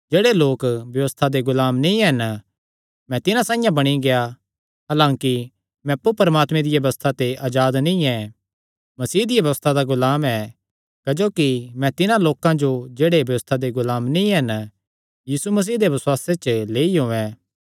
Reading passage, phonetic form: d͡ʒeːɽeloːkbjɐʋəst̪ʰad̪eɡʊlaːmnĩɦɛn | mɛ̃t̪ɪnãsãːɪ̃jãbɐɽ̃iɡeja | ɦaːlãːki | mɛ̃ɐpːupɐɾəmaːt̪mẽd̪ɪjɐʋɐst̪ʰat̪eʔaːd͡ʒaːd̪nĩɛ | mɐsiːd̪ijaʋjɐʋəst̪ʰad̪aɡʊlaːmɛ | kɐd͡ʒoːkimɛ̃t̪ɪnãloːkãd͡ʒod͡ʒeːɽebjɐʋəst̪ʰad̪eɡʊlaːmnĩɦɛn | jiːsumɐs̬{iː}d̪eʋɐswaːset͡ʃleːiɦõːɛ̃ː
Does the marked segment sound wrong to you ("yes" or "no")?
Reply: no